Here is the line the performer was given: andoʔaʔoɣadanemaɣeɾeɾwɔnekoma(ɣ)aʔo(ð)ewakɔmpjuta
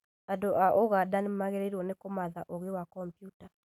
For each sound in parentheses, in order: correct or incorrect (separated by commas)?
incorrect, incorrect